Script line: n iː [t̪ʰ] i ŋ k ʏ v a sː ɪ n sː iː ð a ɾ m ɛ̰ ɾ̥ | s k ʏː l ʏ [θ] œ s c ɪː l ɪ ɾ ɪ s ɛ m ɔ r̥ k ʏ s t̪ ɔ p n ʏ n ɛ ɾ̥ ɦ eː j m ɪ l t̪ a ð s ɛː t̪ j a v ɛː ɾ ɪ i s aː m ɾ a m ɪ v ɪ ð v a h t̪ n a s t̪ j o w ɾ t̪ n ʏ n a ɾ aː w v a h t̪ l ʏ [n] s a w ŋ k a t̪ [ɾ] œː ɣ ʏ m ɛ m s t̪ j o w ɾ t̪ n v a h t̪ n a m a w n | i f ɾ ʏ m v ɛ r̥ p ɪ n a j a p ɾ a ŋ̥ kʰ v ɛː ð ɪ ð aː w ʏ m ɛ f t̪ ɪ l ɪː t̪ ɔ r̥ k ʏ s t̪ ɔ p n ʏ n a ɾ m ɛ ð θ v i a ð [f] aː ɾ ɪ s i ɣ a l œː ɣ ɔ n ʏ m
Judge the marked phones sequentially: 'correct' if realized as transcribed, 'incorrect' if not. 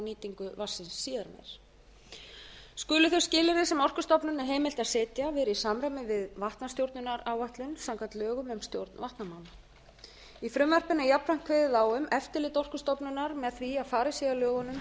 incorrect, correct, correct, incorrect, correct

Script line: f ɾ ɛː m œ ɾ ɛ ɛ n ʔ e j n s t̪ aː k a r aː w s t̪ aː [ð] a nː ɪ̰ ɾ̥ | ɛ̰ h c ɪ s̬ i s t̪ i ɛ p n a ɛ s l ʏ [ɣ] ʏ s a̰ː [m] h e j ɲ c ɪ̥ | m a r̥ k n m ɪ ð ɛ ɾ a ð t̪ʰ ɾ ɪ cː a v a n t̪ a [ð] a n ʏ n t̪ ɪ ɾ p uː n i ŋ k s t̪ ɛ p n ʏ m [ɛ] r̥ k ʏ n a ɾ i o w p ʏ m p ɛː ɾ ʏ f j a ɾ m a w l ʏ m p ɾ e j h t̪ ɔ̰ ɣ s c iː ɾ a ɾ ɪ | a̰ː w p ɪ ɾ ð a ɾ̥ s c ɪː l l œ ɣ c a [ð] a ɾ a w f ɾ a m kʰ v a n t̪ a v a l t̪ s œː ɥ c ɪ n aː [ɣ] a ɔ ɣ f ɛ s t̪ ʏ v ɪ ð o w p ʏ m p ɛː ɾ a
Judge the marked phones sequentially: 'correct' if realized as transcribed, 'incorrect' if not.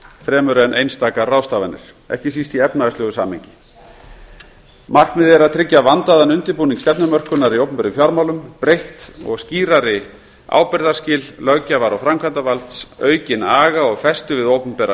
incorrect, correct, correct, correct, incorrect, incorrect, correct

